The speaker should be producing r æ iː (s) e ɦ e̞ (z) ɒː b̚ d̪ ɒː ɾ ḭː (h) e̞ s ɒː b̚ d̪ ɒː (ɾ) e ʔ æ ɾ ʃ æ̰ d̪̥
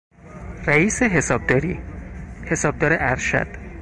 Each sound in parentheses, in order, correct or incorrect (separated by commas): correct, incorrect, correct, correct